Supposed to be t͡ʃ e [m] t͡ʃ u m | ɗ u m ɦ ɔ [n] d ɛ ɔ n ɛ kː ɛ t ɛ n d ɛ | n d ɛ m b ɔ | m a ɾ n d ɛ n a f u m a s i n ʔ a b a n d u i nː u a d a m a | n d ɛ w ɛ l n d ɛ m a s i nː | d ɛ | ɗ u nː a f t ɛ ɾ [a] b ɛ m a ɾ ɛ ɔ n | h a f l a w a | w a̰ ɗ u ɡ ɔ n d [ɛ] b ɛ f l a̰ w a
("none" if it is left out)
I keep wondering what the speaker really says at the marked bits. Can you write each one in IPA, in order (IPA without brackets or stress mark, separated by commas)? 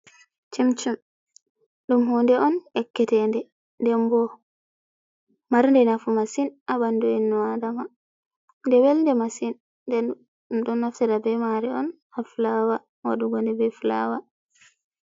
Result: m, n, a, ɛ